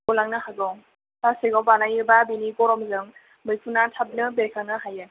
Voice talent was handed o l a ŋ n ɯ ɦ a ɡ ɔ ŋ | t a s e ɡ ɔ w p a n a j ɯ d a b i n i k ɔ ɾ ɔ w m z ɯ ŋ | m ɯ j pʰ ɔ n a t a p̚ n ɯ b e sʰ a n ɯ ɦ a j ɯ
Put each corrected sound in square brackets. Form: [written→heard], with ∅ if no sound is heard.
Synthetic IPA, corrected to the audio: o l a ŋ n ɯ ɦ a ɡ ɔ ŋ | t a s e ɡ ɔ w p a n a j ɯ [d→b] a b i n i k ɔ ɾ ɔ [w→∅] m z ɯ ŋ | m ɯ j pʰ [ɔ→u] n a [t→tʰ] a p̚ n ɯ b e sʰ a n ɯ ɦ a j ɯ